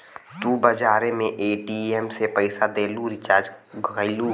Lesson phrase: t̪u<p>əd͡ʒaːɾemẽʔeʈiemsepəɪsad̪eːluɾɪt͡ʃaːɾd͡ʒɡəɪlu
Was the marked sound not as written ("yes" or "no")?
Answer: yes